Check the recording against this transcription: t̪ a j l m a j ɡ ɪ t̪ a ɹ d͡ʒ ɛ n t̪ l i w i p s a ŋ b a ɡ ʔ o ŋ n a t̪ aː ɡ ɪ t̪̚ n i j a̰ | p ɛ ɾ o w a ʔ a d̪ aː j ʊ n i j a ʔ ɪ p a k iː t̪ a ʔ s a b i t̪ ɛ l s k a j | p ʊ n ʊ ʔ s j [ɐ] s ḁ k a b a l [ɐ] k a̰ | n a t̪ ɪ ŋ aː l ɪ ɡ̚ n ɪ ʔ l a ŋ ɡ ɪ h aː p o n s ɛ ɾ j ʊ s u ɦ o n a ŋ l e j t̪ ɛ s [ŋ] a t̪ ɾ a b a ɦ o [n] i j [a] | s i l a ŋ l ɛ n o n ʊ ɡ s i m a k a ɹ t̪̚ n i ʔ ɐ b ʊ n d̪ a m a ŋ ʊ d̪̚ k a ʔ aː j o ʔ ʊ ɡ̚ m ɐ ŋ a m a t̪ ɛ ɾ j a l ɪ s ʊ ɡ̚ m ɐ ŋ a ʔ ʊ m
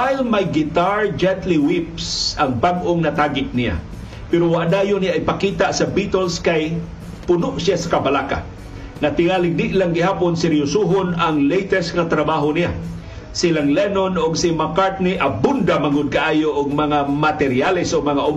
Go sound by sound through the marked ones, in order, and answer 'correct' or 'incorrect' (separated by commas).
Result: incorrect, incorrect, correct, correct, correct